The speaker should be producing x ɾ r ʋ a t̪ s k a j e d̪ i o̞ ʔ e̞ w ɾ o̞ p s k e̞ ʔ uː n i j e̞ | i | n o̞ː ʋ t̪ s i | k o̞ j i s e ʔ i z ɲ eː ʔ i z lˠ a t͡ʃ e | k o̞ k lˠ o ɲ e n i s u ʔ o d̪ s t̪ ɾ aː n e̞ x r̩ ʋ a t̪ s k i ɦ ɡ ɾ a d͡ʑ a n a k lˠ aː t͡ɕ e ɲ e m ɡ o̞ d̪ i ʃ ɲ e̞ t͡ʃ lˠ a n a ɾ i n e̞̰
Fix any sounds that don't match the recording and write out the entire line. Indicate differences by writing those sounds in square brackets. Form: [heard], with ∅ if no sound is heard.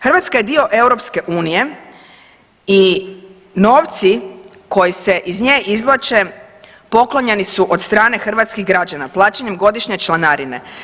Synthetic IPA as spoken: x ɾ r ʋ a t̪ s k a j e d̪ i o̞ ʔ e̞ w ɾ o̞ p s k e̞ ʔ uː n i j e̞ | i | n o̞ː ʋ t̪ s i | k o̞ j i s e ʔ i z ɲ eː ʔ i z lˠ a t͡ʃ e | [p] o̞ k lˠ o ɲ e n i s u ʔ o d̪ s t̪ ɾ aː n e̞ x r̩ ʋ a t̪ s k i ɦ ɡ ɾ a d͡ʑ a n a [p] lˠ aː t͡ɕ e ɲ e m ɡ o̞ d̪ i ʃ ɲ e̞ t͡ʃ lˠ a n a ɾ i n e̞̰